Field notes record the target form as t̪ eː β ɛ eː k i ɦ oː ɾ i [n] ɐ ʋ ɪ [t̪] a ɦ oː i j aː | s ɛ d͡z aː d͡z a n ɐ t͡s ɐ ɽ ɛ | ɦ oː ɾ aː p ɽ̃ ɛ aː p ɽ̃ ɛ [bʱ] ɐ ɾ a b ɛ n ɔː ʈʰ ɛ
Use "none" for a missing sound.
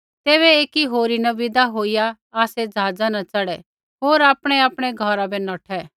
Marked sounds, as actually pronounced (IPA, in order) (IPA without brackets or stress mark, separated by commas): n, d̪, ɡʱ